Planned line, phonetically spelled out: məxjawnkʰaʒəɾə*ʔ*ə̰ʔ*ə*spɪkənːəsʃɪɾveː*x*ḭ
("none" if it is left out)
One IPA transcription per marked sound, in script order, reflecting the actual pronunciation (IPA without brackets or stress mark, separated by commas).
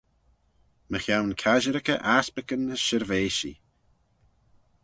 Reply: k, a, ʃ